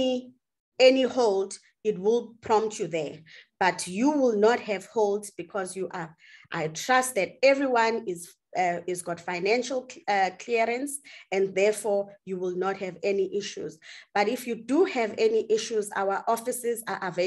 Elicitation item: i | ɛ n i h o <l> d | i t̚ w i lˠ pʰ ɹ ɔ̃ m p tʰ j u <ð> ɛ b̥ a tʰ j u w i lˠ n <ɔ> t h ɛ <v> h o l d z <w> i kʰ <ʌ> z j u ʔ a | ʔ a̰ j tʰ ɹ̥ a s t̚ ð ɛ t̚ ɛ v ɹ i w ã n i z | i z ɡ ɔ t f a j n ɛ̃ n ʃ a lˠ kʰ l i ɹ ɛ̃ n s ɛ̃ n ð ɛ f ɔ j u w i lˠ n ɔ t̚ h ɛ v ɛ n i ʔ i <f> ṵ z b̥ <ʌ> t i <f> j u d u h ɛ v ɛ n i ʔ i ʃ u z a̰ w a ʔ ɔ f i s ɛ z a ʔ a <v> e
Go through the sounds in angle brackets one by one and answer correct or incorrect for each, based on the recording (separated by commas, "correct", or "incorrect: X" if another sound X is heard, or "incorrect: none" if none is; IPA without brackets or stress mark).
correct, correct, correct, correct, incorrect: b, incorrect: ɔ, incorrect: ʃ, incorrect: a, correct, correct